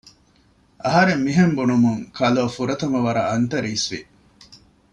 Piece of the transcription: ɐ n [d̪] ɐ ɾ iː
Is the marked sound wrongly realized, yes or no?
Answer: yes